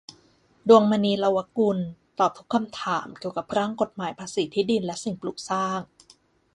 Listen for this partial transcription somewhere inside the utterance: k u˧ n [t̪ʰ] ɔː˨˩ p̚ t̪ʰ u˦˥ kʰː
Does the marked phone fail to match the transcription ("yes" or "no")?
yes